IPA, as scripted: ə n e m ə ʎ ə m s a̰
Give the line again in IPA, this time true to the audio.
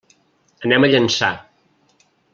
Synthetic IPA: ə n ɛ m ə ʎ ə n s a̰